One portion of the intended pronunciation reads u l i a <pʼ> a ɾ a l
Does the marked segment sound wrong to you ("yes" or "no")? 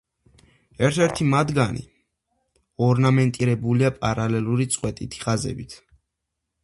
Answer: no